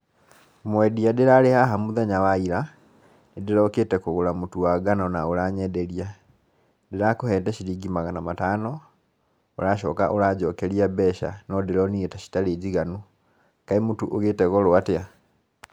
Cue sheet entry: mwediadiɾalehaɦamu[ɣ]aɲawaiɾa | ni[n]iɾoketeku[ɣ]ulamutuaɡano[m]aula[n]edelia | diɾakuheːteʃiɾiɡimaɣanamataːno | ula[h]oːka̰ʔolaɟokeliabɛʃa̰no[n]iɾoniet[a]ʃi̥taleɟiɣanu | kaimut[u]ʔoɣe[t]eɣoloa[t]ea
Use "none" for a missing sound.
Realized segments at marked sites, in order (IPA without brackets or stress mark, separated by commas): ð, d, ɣ, n, ɲ, ʃ, d, a, u, t, t